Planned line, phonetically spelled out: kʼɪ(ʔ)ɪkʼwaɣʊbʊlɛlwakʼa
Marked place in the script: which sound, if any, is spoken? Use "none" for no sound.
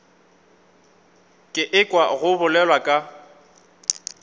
ʔ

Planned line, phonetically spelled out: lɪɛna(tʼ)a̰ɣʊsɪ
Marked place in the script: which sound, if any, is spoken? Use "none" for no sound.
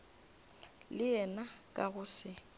kʼ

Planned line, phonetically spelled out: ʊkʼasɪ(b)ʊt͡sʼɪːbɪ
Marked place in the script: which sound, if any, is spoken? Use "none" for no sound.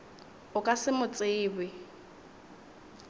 m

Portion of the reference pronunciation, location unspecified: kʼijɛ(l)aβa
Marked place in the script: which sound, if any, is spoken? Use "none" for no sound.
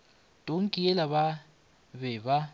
l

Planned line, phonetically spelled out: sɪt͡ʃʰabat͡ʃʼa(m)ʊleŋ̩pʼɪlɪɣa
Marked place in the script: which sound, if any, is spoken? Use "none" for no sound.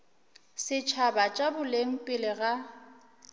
b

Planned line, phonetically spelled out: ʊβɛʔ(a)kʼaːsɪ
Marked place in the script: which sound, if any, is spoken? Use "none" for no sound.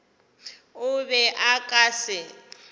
a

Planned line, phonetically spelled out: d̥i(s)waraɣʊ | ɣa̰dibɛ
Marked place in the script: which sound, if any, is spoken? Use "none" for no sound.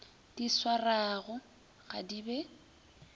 s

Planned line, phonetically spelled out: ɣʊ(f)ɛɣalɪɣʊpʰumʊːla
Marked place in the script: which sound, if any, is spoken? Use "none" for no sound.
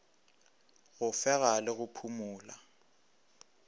f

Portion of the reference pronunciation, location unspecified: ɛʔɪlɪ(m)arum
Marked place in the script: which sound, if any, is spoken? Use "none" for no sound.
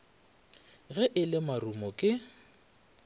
m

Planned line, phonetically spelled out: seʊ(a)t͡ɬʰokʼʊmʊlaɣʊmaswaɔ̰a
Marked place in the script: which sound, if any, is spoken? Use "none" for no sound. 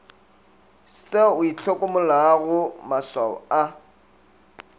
i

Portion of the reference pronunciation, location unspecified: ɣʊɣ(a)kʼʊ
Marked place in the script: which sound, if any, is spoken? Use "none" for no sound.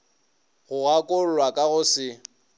a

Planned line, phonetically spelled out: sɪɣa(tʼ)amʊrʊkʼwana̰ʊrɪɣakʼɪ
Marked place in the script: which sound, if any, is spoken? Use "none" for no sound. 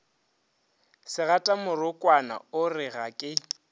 tʼ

